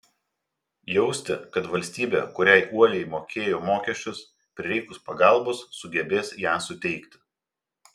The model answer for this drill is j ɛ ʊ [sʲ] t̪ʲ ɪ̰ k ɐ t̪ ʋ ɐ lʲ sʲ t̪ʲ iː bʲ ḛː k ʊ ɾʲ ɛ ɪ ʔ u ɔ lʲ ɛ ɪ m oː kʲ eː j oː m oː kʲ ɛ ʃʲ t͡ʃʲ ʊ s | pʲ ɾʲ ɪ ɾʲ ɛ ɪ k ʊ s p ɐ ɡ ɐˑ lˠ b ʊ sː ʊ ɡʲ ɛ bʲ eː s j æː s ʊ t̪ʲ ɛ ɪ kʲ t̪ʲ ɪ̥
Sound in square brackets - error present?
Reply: no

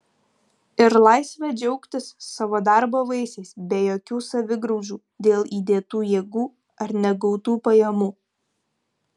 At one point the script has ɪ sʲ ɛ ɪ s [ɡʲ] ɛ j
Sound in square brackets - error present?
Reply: yes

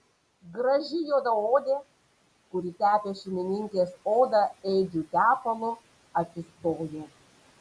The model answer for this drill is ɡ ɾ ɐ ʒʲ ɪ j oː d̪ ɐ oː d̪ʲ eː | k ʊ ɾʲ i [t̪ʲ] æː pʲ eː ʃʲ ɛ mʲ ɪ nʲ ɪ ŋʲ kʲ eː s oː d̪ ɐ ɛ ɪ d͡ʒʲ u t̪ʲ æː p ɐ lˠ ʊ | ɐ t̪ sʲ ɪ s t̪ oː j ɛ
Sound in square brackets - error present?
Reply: no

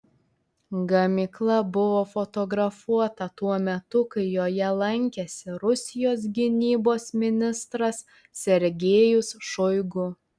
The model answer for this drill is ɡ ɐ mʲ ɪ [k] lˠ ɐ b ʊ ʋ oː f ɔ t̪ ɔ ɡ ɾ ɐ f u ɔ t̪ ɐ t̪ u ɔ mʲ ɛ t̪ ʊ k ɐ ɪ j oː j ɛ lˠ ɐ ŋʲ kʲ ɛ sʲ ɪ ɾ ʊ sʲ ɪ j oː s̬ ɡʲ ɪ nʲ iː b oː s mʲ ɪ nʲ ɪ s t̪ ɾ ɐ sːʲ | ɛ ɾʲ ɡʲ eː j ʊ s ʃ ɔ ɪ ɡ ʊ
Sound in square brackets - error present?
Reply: no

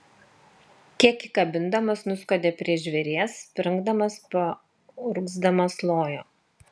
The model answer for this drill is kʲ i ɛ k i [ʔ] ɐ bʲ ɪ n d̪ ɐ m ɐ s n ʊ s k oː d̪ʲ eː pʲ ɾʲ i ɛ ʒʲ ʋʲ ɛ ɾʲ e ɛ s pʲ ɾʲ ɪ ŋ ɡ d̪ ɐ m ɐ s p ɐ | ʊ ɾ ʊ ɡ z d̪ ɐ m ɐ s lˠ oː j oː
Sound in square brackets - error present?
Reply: yes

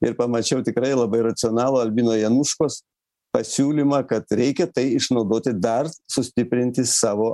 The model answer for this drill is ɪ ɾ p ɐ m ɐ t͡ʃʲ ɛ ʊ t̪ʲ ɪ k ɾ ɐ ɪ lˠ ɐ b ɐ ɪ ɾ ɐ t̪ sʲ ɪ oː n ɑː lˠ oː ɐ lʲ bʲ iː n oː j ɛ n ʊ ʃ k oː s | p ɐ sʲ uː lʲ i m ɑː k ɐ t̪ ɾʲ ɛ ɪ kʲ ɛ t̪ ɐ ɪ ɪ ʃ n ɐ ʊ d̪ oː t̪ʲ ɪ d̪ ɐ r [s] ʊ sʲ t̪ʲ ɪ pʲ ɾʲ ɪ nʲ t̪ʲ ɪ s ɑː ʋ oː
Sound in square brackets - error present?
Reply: no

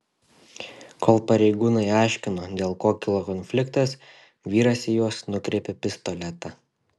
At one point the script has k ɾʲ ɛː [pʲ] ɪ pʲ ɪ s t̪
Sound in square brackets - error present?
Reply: no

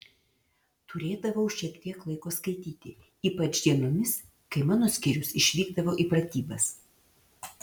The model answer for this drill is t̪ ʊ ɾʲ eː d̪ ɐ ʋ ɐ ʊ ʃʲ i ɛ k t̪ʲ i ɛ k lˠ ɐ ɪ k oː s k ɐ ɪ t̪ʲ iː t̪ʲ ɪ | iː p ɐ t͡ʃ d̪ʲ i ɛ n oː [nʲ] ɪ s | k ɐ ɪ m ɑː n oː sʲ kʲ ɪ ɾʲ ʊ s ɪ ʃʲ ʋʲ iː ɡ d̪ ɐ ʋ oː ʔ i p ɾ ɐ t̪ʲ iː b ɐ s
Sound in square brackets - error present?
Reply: yes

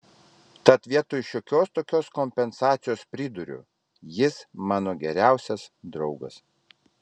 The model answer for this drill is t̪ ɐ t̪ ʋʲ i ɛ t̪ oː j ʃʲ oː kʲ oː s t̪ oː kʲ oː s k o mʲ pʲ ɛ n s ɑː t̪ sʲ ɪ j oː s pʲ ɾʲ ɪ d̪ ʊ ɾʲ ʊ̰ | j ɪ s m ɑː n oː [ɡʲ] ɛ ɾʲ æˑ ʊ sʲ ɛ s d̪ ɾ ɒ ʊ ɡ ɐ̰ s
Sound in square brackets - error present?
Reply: no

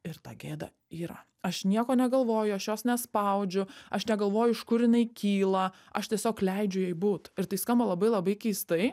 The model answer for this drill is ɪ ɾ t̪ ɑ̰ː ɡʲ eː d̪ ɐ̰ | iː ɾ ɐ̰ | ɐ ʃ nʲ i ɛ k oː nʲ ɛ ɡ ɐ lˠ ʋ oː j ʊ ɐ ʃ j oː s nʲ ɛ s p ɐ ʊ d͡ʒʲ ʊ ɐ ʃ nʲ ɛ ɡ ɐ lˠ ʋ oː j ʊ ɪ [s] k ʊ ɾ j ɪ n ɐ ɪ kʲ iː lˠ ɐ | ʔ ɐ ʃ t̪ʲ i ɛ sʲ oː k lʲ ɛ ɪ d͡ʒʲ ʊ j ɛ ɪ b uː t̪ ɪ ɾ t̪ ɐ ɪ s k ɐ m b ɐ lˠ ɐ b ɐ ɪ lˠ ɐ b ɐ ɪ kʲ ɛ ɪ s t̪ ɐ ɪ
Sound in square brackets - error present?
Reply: yes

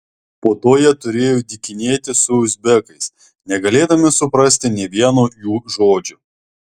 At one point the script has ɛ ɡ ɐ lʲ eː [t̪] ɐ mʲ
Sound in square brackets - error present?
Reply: yes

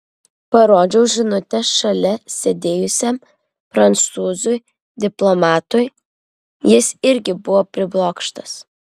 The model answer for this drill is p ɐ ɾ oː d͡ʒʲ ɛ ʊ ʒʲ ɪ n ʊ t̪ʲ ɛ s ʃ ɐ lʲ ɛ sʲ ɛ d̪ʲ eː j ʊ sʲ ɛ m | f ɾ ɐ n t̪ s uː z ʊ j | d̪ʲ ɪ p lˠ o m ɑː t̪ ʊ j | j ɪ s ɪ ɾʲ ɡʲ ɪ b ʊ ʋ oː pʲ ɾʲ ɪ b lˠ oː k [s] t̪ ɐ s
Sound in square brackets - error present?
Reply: yes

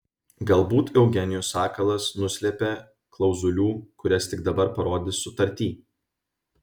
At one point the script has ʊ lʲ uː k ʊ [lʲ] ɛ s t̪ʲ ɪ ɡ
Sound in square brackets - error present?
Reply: yes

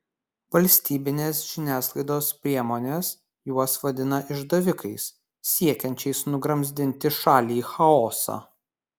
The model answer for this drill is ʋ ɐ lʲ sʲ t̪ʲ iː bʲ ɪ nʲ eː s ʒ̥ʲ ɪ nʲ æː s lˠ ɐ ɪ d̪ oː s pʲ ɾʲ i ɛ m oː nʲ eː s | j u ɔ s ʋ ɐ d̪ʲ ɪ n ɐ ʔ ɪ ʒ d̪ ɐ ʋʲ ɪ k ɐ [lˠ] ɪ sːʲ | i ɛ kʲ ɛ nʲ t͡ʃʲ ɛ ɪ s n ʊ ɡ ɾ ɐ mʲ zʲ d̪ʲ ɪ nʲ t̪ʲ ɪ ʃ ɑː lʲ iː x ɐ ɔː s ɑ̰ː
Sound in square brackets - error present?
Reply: yes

